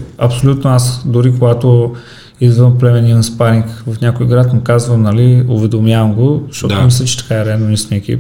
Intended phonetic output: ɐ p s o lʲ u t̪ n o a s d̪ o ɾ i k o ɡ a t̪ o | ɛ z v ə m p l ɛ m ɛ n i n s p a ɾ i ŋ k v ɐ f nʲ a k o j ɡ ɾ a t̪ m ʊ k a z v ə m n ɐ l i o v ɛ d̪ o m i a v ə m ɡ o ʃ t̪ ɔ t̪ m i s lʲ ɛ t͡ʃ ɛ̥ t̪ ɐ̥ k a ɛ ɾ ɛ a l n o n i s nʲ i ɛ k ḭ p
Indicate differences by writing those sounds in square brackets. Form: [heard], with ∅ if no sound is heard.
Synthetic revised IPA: ɐ p s o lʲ u t̪ n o a s d̪ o ɾ i k o ɡ a t̪ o | [i] z v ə m p l ɛ m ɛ n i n s p a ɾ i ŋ k v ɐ f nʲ a k o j ɡ ɾ a t̪ m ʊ k a z v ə m n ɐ l i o v ɛ d̪ o m [j] a v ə m ɡ o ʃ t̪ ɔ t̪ m i s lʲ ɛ t͡ʃ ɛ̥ t̪ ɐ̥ k a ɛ ɾ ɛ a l n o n i s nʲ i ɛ k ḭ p